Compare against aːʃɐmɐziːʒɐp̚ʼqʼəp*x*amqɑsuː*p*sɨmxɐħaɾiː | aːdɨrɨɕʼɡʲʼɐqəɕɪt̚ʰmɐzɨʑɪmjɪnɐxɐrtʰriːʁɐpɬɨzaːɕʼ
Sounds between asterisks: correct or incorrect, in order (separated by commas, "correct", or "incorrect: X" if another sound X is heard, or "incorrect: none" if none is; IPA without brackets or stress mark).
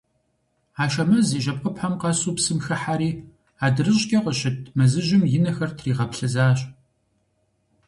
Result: incorrect: ħ, correct